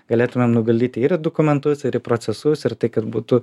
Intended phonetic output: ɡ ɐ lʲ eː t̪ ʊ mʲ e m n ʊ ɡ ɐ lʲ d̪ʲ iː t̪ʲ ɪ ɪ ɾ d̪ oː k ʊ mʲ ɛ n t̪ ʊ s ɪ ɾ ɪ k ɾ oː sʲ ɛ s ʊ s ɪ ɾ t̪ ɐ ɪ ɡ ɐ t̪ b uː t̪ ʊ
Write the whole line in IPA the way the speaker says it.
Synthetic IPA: ɡ ɐ lʲ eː t̪ ʊ mʲ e m n ʊ ɡ ɐ lʲ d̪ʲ iː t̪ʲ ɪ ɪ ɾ d̪ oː k ʊ mʲ ɛ n t̪ ʊ s ɪ ɾ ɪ p ɾ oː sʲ ɛ s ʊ s ɪ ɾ t̪ ɐ ɪ k ɐ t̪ b uː t̪ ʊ